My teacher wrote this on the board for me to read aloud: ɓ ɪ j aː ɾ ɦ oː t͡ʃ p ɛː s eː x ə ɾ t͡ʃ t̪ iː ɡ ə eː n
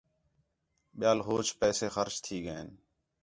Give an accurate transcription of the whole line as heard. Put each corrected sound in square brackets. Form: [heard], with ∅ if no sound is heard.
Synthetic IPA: ɓ ɪ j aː [l] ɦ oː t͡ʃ p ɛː s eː x ə ɾ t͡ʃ [t̪ʰ] iː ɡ ə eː n